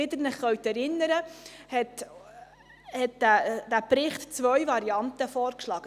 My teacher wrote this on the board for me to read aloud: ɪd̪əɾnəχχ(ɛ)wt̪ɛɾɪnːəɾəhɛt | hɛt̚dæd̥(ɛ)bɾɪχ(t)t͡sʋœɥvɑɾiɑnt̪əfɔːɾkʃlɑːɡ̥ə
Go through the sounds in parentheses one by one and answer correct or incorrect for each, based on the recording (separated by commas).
incorrect, incorrect, correct